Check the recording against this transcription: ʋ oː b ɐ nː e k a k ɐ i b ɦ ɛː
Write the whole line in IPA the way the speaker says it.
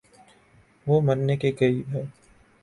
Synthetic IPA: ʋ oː m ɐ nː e k e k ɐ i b ɦ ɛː